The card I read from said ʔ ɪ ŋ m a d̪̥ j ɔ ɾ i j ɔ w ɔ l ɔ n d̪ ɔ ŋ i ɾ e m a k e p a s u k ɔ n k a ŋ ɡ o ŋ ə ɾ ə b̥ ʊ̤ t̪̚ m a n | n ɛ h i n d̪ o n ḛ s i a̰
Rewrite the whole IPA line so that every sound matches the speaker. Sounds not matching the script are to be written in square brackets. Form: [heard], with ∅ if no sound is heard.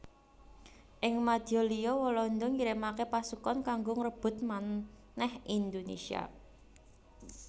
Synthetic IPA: ʔ ɪ ŋ m a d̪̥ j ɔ [l] i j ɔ w ɔ l ɔ n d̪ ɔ ŋ i ɾ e m a k e p a s u k ɔ n k a ŋ ɡ o ŋ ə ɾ ə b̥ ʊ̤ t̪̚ m a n | n ɛ h i n d̪ o n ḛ s i a̰

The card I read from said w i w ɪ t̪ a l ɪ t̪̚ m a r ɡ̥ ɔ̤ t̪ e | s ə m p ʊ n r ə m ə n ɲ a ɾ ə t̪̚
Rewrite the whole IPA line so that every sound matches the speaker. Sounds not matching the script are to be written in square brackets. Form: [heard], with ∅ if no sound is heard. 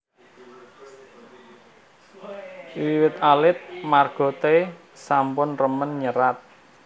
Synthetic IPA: w i w ɪ t̪ a l ɪ t̪̚ m a r ɡ̥ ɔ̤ t̪ e | s [a] m p ʊ n r ə m ə n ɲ [ə] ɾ [a] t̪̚

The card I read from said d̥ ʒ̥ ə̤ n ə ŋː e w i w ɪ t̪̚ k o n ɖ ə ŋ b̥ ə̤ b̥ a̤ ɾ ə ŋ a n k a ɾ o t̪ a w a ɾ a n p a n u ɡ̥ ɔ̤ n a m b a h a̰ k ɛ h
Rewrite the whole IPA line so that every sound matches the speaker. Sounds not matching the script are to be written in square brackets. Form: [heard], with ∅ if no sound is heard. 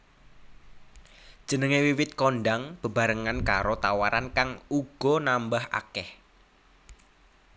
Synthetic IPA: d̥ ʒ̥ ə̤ n ə [ŋ] e w i w ɪ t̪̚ k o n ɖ [a] ŋ b̥ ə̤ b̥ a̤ ɾ ə ŋ a n k a ɾ o t̪ a w a ɾ a n [k] a [ŋ] u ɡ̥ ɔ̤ n a m b a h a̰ k ɛ h

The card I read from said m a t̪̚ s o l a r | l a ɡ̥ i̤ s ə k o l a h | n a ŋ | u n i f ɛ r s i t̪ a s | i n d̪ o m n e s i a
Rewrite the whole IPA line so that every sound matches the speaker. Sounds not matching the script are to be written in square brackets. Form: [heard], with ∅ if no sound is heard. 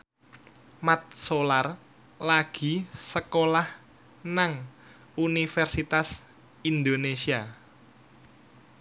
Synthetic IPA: m a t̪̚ s o l a r | l a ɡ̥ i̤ s ə k o l a h | n a ŋ | u n i f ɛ r s i t̪ a s | i n d̪ o [∅] n e s i a

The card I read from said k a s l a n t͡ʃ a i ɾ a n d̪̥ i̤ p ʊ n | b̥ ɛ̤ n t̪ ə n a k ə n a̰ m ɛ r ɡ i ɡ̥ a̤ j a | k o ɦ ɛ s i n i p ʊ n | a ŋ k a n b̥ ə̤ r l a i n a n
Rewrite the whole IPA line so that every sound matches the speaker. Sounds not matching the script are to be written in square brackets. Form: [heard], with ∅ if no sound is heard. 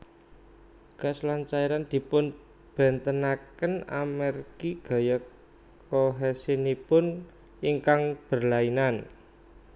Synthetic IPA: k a s l a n t͡ʃ a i ɾ a n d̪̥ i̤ p ʊ n | b̥ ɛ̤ n t̪ ə n a k ə n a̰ m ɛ r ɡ i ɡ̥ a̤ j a | k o ɦ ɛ s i n i p ʊ n | [i] ŋ k a [ŋ] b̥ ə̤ r l a i n a n

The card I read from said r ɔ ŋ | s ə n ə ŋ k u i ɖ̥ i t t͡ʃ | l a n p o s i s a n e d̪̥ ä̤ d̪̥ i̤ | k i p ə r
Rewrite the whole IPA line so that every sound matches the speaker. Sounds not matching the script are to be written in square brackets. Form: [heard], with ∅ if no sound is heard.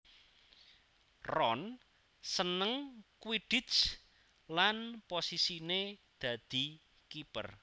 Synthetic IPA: r ɔ [n] | s ə n ə ŋ k [w] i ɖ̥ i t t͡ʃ | l a n p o s i s [i] n e d̪̥ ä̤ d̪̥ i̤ | k i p ə r

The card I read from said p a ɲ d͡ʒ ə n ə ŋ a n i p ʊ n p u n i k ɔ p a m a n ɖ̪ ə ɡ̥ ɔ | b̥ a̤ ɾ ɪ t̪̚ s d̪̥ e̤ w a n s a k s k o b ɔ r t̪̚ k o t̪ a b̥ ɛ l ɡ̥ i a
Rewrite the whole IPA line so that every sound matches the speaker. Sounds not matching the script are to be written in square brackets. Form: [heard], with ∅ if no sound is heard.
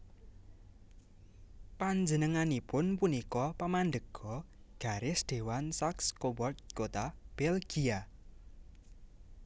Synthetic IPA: p a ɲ d͡ʒ ə n ə ŋ a n i p ʊ n p u n i k ɔ p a m a n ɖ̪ ə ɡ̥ ɔ | [ɡ̥] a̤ ɾ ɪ [∅] s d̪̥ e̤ w a n s a k s k o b ɔ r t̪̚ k o t̪ a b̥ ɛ l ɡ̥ i a

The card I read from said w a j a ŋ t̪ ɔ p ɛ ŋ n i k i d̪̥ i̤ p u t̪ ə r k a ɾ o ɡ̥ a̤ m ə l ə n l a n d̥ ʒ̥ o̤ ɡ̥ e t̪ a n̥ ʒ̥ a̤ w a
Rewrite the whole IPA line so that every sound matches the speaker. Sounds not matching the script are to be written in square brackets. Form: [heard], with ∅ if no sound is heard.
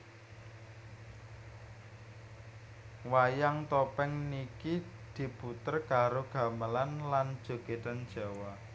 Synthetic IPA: w a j a ŋ t̪ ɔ p ɛ ŋ n i k i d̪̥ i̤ p u t̪ ə r k a ɾ o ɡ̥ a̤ m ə l [a] n l a n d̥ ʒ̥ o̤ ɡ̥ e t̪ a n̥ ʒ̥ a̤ w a

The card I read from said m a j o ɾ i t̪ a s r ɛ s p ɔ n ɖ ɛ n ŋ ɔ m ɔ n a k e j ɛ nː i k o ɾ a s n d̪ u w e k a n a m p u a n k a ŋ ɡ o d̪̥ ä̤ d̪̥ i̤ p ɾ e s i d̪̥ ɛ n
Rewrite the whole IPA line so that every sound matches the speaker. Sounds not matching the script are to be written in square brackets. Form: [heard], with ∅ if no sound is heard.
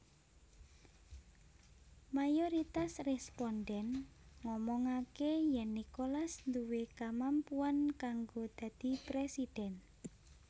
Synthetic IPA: m a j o ɾ i t̪ a s r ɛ s p ɔ n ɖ ɛ n ŋ ɔ m ɔ [ŋ] a k e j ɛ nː i k o [l] a s n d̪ u w e k a [m] a m p u a n k a ŋ ɡ o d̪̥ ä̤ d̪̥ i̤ p ɾ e s i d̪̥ ɛ n

